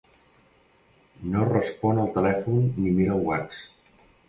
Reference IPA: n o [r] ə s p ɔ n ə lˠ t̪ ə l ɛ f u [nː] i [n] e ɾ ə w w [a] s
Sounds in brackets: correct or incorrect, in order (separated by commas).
correct, correct, incorrect, correct